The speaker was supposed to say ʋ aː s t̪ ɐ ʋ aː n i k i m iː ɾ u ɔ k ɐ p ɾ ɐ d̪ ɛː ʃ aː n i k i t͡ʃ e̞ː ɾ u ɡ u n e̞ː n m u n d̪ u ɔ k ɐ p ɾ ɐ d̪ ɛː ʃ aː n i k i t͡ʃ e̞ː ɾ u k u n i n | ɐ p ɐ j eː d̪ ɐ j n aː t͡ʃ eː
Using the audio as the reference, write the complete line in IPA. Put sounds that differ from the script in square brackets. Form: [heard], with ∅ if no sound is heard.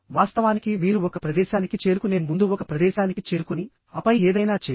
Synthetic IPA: ʋ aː s t̪ ɐ ʋ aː n i k i m iː ɾ u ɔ k ɐ p ɾ ɐ d̪ ɛː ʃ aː n i k i t͡ʃ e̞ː ɾ u [k] u n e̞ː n m u n d̪ u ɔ k ɐ p ɾ ɐ d̪ ɛː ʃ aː n i k i t͡ʃ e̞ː ɾ u k u n i [∅] | ɐ p ɐ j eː d̪ ɐ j n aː t͡ʃ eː